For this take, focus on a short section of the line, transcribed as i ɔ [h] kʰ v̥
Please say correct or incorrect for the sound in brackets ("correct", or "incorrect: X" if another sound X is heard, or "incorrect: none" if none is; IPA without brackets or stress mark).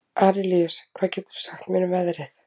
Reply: incorrect: s